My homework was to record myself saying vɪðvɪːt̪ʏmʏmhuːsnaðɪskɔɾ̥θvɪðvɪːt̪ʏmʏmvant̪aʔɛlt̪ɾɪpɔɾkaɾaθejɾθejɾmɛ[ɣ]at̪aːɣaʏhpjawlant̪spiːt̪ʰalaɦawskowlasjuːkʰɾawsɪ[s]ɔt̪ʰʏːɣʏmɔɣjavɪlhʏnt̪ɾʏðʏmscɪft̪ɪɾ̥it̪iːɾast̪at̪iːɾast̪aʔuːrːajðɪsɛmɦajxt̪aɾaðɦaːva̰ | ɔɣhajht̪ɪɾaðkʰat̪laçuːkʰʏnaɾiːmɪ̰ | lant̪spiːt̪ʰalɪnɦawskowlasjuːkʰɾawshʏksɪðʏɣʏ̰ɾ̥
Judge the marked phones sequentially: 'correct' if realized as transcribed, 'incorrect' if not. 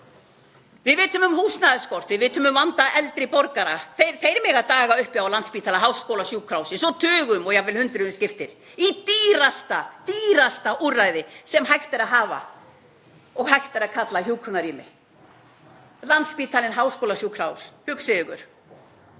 correct, correct

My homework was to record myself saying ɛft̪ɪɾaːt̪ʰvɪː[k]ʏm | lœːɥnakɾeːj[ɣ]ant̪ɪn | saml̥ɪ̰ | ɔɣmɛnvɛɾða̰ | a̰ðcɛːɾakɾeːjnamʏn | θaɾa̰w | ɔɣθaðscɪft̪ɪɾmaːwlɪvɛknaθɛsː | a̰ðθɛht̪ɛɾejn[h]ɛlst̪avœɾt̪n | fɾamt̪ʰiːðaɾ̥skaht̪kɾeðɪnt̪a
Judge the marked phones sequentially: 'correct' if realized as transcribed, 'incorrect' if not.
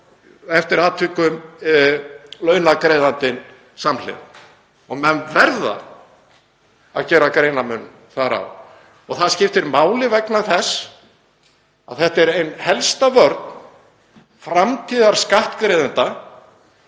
correct, incorrect: ð, correct

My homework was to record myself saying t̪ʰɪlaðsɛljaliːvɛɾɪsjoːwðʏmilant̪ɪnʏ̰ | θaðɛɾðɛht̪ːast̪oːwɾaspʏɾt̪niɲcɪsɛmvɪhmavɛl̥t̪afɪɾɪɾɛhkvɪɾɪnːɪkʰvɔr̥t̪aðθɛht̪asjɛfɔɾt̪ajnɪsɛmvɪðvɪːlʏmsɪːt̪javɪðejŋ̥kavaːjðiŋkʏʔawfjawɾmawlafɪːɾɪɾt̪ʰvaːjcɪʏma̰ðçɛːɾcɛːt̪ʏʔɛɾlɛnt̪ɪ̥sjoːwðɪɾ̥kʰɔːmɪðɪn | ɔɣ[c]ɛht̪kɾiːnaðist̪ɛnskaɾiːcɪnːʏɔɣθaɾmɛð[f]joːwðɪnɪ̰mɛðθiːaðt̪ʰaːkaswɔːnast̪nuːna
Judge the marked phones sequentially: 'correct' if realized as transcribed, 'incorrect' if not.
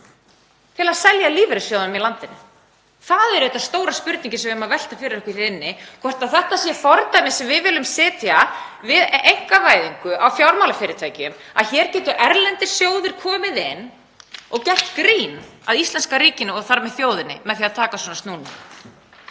correct, incorrect: θ

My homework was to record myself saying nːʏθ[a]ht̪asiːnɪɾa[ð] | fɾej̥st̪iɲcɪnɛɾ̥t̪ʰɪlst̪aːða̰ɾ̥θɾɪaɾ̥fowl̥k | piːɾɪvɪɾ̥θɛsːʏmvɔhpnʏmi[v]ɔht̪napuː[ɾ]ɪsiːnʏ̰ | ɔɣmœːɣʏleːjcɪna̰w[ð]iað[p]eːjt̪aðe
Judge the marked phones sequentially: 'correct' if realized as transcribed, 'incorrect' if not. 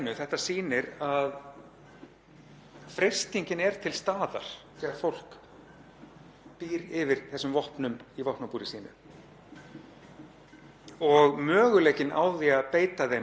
incorrect: ɛ, correct, correct, correct, correct, correct

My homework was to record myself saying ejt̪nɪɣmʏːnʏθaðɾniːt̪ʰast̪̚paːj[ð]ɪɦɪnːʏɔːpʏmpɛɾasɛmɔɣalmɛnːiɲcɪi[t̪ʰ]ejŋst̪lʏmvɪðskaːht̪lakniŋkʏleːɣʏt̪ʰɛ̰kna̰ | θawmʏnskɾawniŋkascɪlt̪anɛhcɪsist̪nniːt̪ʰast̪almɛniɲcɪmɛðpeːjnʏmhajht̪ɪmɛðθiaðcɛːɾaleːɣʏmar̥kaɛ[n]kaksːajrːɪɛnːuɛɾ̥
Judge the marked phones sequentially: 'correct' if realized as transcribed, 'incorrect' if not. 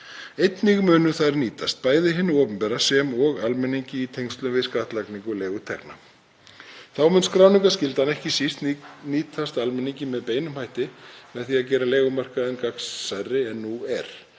correct, correct, correct

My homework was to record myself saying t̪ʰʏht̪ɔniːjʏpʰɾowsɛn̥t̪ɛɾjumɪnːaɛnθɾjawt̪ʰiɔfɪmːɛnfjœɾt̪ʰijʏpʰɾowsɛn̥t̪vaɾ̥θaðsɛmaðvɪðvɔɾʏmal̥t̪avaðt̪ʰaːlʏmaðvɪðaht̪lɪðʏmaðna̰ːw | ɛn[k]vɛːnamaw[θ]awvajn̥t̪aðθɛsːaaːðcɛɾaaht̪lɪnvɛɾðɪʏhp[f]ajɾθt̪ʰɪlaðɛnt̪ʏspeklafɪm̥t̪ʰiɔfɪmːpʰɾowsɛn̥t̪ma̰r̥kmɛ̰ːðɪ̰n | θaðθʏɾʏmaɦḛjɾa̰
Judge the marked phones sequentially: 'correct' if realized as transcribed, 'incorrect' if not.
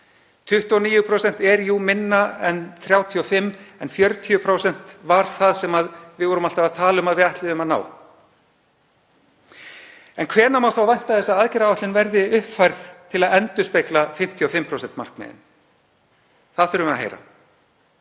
incorrect: kʰ, correct, correct

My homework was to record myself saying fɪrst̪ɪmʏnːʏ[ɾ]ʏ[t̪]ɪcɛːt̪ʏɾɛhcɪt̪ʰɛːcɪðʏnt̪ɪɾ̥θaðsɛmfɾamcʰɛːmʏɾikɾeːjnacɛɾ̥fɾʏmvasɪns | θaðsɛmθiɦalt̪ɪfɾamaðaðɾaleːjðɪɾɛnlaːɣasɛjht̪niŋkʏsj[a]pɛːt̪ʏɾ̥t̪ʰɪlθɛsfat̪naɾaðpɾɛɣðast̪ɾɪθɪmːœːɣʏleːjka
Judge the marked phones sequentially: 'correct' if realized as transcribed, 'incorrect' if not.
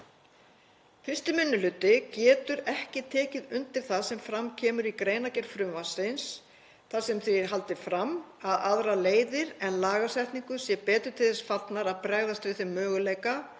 incorrect: l, correct, incorrect: ɛ

